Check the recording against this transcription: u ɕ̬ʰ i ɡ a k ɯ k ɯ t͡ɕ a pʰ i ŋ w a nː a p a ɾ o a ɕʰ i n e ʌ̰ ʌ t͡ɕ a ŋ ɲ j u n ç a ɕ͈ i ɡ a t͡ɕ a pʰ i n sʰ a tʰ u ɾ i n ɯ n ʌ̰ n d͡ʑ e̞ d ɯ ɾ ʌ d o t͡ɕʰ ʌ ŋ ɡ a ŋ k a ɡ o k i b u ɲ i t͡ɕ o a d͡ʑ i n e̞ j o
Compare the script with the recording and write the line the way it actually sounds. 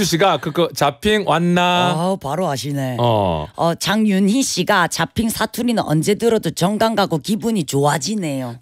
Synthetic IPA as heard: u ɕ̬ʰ i ɡ a k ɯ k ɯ t͡ɕ a pʰ i ŋ w a nː a p a ɾ o a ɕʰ i n e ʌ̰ ʌ t͡ɕ a ŋ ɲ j u n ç i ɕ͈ i ɡ a t͡ɕ a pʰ i ŋ sʰ a tʰ u ɾ i n ɯ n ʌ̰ n d͡ʑ e̞ d ɯ ɾ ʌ d o t͡ɕ ʌ ŋ ɡ a ŋ ɡ a ɡ o k i b u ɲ i t͡ɕ o a d͡ʑ i n e̞ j o